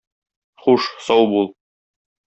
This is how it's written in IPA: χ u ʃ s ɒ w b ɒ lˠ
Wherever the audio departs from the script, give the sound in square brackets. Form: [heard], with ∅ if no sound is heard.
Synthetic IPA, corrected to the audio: χ u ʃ s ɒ w b [u] lˠ